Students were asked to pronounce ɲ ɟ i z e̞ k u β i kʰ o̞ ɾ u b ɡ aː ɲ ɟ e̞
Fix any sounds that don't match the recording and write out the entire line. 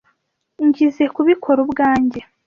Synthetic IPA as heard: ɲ ɟ i z e̞ k u β i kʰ o̞ ɾ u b ɡ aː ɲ ɟ e̞